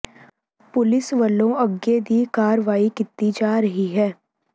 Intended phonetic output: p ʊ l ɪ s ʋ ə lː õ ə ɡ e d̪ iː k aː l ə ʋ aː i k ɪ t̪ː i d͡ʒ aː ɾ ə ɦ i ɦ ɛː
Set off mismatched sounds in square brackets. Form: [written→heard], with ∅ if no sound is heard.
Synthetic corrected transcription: p ʊ l ɪ s ʋ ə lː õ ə ɡ e d̪ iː k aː [l→ɾ] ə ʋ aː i k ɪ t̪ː i d͡ʒ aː ɾ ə ɦ i ɦ ɛː